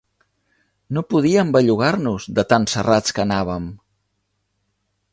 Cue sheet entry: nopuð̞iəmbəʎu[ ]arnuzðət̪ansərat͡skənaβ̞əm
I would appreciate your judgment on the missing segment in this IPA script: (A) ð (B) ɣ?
B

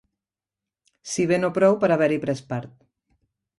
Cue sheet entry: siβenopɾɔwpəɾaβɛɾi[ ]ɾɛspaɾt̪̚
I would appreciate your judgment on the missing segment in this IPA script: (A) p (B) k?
A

